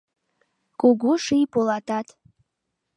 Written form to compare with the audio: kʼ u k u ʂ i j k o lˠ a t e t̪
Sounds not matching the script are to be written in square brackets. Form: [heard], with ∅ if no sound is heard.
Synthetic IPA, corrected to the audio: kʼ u [ɡ] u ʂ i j [p] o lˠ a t [a] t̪